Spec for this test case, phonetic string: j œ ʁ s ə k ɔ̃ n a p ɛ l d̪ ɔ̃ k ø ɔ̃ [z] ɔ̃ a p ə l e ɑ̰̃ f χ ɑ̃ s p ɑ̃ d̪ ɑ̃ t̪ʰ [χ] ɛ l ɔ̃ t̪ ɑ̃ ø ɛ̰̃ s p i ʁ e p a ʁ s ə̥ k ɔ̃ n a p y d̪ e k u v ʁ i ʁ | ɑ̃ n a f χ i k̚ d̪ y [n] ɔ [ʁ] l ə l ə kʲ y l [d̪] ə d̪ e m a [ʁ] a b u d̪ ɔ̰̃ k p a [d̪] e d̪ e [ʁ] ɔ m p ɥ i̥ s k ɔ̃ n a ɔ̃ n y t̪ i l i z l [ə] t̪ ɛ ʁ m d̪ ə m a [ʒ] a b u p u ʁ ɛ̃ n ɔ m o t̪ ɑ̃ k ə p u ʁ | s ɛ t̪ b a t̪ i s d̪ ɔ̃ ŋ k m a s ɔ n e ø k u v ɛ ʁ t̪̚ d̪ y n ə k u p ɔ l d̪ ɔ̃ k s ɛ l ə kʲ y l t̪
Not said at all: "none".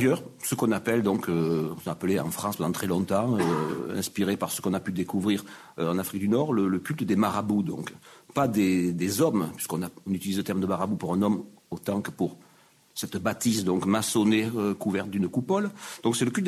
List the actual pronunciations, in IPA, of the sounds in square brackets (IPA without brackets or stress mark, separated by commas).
s, χ, n, ʁ, t̪, ʁ, d̪, z, ə, ʁ